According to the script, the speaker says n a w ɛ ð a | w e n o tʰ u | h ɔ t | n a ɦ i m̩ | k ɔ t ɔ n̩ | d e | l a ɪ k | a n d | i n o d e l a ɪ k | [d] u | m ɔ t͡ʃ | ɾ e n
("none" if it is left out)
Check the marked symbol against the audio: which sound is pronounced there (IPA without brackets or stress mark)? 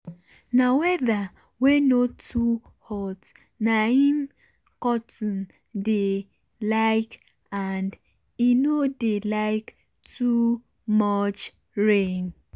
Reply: t